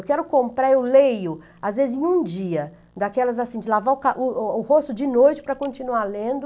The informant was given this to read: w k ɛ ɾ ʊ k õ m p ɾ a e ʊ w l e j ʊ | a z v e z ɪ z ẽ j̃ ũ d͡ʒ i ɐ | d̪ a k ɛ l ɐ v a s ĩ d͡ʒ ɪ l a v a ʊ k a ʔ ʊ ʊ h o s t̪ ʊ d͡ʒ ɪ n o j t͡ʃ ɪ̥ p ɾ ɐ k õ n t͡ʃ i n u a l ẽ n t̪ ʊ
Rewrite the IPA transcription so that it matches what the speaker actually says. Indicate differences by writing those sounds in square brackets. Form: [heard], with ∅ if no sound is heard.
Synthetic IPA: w k ɛ ɾ ʊ k õ m p ɾ a e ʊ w l e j ʊ | a z v e z ɪ z ẽ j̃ ũ d͡ʒ i ɐ | d̪ a k ɛ l ɐ [z] a s ĩ d͡ʒ ɪ l a v a ʊ k a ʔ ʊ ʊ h o s t̪ ʊ d͡ʒ ɪ n o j t͡ʃ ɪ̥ p ɾ ɐ k õ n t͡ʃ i n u a l ẽ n [d̪] ʊ

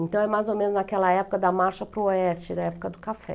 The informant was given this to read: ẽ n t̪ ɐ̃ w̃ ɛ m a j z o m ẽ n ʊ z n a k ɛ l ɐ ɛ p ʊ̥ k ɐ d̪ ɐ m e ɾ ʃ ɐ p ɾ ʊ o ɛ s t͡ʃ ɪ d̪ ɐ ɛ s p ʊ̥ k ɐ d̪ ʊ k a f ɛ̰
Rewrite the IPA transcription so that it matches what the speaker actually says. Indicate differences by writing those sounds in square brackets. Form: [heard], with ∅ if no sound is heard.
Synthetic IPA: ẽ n t̪ ɐ̃ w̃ ɛ m a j z o m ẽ n ʊ z n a k ɛ l ɐ ɛ p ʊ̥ k ɐ d̪ ɐ m [a] ɾ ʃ ɐ p ɾ ʊ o ɛ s t͡ʃ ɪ d̪ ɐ ɛ [∅] p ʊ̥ k ɐ d̪ ʊ k a f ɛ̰

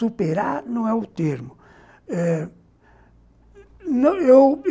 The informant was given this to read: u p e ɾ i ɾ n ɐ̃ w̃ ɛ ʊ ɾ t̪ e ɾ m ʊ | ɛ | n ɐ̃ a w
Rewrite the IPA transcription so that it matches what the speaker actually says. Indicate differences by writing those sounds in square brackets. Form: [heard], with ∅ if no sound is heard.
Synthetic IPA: u p e ɾ [a] ɾ n ɐ̃ w̃ ɛ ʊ [∅] t̪ e ɾ m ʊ | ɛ | n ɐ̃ [e] w

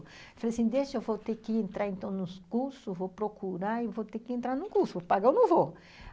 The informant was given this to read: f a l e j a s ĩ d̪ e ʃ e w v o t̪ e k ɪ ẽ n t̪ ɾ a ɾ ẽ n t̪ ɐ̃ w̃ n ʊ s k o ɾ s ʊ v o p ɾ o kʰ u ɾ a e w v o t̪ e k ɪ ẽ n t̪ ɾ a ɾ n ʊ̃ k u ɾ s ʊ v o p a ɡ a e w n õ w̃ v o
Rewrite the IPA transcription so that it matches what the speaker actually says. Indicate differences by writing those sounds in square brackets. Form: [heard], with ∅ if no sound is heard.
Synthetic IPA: f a l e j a s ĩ d̪ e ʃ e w v o t̪ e k ɪ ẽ n t̪ ɾ a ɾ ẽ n t̪ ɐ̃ w̃ n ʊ s k [u] ɾ s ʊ v o p ɾ o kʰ u ɾ a e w v o t̪ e k ɪ ẽ n t̪ ɾ a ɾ n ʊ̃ k u ɾ s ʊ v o p a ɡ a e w n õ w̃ v o

